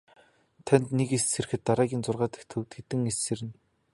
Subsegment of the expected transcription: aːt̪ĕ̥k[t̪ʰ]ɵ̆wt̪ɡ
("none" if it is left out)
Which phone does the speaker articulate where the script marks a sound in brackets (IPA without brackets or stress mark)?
t̪ʰ